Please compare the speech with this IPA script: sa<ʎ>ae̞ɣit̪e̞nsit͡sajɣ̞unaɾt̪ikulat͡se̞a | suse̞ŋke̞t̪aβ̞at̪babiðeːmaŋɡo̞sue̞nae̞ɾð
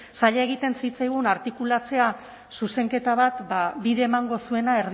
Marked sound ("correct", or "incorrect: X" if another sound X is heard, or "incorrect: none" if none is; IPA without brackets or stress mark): correct